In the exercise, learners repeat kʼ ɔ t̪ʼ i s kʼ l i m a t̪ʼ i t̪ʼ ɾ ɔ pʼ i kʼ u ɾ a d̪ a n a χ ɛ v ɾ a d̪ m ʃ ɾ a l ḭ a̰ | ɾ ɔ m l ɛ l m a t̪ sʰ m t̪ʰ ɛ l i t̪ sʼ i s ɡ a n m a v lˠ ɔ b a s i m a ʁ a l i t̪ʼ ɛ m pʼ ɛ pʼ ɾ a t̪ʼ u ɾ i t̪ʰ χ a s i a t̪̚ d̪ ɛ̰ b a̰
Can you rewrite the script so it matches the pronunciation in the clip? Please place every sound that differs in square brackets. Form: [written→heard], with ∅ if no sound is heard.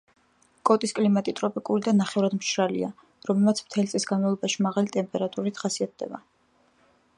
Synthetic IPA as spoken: kʼ ɔ t̪ʼ i s kʼ l i m a t̪ʼ i t̪ʼ ɾ ɔ pʼ i kʼ u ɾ [a→i] d̪ a n a χ ɛ v ɾ a d̪ m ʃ ɾ a l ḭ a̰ | ɾ ɔ m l ɛ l m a t̪ sʰ m t̪ʰ ɛ l i t̪ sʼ i s ɡ a n m a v lˠ ɔ b a [s→ʃ] i m a ʁ a l i t̪ʼ ɛ m pʼ ɛ [pʼ→∅] ɾ a t̪ʼ u ɾ i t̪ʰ χ a s i a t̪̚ d̪ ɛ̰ b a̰